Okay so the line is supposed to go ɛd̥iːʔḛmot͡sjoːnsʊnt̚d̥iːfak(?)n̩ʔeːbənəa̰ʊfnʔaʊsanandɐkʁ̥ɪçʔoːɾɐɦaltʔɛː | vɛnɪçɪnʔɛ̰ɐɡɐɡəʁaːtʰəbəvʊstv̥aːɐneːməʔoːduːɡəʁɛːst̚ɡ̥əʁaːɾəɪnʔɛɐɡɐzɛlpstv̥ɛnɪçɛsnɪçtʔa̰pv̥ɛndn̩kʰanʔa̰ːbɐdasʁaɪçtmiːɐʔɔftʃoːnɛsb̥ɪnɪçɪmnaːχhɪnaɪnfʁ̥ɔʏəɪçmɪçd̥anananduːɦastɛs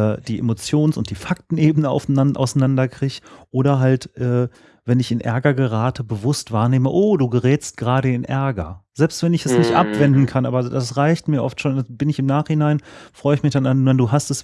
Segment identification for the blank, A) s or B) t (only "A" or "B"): B